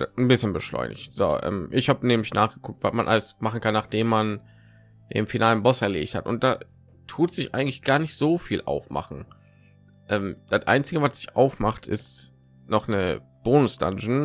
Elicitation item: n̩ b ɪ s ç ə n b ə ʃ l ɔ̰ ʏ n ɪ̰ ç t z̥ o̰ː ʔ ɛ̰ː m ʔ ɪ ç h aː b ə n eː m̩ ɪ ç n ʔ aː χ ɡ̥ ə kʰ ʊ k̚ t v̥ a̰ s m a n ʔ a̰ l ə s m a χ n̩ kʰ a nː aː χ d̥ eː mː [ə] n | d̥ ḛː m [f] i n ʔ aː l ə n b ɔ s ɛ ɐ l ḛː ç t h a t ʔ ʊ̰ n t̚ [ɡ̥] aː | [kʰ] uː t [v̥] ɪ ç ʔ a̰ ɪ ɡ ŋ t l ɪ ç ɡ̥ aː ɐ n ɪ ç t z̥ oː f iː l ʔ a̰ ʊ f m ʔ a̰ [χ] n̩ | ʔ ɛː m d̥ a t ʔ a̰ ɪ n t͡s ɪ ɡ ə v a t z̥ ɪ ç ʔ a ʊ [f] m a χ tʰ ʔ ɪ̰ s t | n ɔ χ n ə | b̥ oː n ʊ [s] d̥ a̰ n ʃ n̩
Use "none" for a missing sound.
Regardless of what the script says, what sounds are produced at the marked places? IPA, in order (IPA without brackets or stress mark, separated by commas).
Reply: a, f, d̥, tʰ, z̥, χ, f, s